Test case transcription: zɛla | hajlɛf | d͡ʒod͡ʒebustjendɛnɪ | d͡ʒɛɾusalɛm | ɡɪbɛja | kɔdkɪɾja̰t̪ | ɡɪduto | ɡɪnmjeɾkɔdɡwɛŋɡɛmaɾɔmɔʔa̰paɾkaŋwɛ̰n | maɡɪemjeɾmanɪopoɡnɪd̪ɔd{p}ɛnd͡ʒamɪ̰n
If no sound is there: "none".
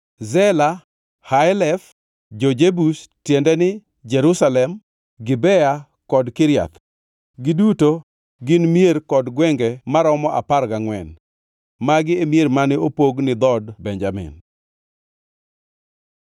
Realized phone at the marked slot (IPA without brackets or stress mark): b